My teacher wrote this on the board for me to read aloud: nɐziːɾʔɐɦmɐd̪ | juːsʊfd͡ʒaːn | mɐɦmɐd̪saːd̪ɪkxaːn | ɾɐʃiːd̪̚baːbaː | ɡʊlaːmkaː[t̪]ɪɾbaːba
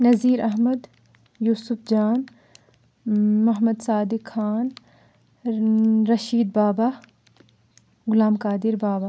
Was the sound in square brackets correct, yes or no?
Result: no